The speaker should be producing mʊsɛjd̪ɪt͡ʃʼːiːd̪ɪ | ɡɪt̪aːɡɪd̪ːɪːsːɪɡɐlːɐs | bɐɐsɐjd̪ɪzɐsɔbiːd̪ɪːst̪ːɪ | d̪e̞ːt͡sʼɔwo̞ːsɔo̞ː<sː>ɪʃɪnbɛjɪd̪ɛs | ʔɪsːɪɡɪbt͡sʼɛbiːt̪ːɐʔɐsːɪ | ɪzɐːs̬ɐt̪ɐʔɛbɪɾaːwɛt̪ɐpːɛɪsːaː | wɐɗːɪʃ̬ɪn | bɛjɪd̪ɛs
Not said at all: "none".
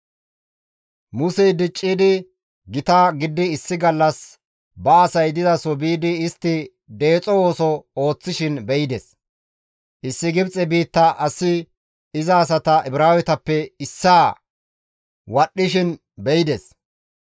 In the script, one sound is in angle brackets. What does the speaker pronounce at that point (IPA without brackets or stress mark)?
t͡sː